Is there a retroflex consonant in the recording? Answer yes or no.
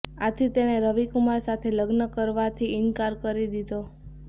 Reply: no